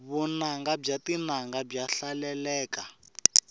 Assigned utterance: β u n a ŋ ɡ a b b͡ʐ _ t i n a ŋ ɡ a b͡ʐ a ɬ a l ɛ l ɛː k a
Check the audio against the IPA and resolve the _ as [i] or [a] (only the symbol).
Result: a